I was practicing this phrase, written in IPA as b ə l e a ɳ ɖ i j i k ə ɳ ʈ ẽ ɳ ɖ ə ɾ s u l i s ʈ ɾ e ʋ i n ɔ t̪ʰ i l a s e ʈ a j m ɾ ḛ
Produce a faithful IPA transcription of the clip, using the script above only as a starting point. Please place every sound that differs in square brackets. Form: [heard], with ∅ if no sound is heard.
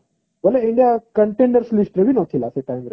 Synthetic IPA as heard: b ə l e [i] ɳ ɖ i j [a] k ə ɳ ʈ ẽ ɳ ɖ ə ɾ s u l i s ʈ ɾ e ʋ i n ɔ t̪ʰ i l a s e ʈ a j m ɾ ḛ